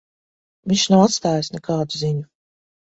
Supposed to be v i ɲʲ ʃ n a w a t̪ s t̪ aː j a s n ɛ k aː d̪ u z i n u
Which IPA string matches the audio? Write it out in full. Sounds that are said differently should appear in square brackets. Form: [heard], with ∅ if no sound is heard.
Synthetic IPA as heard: v i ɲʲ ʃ n a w a t̪ s t̪ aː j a s n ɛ k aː d̪ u z i [ɲ] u